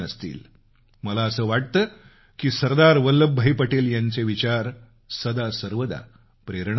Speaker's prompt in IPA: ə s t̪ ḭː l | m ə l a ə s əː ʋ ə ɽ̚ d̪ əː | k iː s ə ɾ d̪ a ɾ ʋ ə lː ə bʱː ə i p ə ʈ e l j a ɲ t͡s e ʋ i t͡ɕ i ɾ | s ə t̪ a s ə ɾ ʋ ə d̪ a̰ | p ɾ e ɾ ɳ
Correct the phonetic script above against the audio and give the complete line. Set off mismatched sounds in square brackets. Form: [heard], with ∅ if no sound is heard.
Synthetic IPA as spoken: ə s t̪ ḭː l | m ə l a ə s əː ʋ [a] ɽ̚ [t̪] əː | k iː s ə ɾ d̪ a ɾ ʋ ə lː ə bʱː ə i p ə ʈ e l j a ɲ t͡s e ʋ i t͡ɕ [a] ɾ | s ə [d̪] a s ə ɾ ʋ ə d̪ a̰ | p ɾ e ɾ ɳ